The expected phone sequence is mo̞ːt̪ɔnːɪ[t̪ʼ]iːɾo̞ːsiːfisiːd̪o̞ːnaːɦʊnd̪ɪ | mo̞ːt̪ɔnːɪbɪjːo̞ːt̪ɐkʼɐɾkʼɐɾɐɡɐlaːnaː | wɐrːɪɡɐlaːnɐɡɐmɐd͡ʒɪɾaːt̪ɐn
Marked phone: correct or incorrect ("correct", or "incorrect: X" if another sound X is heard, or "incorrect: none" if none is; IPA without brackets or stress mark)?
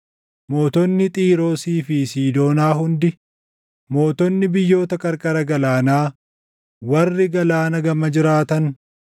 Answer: correct